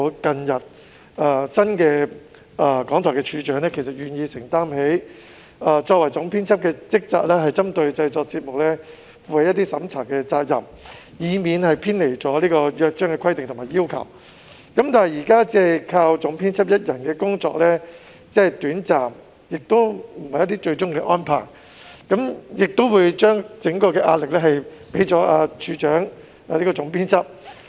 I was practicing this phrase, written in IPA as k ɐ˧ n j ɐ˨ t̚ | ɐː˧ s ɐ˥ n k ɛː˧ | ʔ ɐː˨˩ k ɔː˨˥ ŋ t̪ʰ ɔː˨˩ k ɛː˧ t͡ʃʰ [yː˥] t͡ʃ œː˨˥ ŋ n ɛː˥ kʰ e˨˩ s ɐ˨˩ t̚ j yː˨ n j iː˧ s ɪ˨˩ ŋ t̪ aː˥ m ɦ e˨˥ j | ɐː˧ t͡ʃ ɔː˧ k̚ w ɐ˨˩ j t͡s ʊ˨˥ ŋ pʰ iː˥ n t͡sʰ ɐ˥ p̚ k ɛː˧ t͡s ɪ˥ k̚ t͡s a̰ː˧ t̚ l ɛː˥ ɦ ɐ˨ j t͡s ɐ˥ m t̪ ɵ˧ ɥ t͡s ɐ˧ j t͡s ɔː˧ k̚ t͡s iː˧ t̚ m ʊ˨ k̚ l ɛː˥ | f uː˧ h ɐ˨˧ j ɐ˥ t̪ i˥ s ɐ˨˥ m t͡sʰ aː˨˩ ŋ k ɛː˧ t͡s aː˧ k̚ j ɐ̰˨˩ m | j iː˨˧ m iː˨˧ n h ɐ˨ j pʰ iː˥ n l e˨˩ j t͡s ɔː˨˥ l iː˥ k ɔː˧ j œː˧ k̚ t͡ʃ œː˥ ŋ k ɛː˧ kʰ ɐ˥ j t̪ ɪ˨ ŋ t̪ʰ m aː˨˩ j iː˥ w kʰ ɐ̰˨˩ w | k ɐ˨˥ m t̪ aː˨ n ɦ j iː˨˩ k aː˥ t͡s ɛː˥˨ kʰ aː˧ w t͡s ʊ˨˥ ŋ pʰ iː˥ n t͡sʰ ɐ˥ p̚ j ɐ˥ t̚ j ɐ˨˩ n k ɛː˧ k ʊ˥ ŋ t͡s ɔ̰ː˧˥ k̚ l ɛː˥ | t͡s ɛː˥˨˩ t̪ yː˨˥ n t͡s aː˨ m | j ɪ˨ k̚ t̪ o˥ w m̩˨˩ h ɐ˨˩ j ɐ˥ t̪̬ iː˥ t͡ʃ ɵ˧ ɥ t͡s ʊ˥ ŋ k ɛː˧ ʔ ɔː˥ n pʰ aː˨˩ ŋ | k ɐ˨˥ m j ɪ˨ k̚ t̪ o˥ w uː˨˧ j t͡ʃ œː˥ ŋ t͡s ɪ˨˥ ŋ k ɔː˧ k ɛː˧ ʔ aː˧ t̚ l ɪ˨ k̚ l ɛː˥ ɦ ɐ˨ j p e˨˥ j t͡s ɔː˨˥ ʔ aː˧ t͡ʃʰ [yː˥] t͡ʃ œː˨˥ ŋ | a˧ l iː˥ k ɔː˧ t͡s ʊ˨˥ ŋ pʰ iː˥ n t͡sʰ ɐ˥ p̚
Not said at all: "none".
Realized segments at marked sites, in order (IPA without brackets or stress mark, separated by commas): yː˨˧, yː˨˧